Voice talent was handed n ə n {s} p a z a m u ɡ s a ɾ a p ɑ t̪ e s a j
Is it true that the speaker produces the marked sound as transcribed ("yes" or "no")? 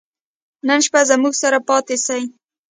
no